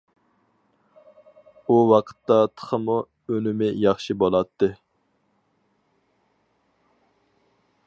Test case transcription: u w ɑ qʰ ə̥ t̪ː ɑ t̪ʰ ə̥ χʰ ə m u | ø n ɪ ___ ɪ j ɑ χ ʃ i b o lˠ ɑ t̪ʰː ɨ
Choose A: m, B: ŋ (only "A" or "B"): A